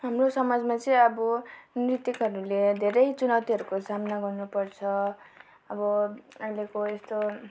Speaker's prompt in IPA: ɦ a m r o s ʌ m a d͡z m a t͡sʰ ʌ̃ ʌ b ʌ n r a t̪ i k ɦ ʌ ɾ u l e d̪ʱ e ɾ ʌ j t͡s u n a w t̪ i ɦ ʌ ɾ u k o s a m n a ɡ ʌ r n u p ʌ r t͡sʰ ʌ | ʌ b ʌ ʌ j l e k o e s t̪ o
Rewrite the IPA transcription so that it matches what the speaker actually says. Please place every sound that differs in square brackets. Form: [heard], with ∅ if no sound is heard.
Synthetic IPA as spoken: ɦ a m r o s ʌ m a d͡z m a [t͡s] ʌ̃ ʌ b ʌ n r [i] t̪ i k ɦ ʌ ɾ u l e d̪ʱ e ɾ ʌ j t͡s u n a w t̪ i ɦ ʌ ɾ u k o s a m n a ɡ ʌ r n u p ʌ r t͡sʰ ʌ | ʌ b ʌ ʌ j l e k o e s t̪ o